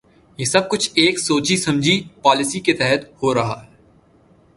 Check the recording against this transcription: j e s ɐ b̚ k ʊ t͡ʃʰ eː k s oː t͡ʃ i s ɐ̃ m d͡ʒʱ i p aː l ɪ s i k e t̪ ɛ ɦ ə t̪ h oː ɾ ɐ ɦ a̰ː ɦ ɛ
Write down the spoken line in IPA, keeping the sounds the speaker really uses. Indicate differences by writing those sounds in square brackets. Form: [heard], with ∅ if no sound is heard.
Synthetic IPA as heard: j e s ɐ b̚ k ʊ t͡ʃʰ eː k s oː t͡ʃ i s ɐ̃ m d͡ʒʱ i p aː l ɪ s i k e t̪ ɛ ɦ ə t̪ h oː ɾ ɐ ɦ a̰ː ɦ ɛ